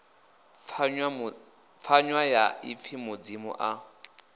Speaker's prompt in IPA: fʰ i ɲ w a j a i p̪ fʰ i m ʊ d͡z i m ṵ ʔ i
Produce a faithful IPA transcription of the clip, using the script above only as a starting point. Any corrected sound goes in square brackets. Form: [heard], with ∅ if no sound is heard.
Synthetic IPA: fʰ [a] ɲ w a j a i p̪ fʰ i m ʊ d͡z i m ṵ ʔ [a]